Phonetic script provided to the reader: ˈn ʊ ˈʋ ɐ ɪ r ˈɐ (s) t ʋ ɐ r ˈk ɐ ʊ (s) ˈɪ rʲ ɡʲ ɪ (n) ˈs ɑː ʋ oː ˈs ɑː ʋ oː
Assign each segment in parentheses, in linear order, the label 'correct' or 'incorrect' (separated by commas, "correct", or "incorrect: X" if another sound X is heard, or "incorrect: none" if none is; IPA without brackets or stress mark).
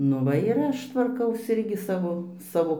incorrect: ʃ, correct, incorrect: none